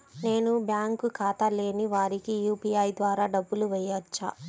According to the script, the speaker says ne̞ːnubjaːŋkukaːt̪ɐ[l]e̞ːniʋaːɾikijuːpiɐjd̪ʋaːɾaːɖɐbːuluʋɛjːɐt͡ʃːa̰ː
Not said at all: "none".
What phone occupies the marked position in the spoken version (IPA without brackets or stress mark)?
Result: l